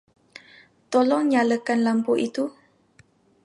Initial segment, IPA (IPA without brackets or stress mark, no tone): t̪